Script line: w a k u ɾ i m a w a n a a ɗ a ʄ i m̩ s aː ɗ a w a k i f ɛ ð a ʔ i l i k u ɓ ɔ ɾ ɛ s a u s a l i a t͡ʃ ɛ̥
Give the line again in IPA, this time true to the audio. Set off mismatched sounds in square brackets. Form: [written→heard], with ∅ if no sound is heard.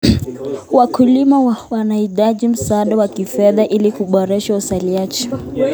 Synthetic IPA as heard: w a k u [ɾ→l] i m a w a n a [a→i] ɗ a ʄ i m̩ s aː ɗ a w a k i f ɛ ð a ʔ i l i k u ɓ ɔ ɾ ɛ [s→ʃ] a u s a l i a t͡ʃ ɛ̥